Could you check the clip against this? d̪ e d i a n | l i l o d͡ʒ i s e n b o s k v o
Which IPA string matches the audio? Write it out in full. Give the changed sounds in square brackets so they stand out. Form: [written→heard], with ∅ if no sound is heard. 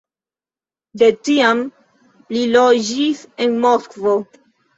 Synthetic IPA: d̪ e [d→t] i a [n→m] | l i l o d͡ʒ i s e n [b→m] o s k v o